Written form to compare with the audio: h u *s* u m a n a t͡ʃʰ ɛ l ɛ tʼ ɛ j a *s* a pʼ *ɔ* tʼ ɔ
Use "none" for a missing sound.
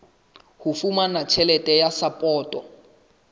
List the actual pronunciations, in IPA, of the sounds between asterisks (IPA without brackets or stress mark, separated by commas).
f, s, ɔː